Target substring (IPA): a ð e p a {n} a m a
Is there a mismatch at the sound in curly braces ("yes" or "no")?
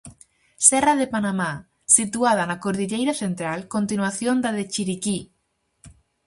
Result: no